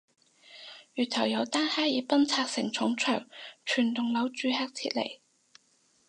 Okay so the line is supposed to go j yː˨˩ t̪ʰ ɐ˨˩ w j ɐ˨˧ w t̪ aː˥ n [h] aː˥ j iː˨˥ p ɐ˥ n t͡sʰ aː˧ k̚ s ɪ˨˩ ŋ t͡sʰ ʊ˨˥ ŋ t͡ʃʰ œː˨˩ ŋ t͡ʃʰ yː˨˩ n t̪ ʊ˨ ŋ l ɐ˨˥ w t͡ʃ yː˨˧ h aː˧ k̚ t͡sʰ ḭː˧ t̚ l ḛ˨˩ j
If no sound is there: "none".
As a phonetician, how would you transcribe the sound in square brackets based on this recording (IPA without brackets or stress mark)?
h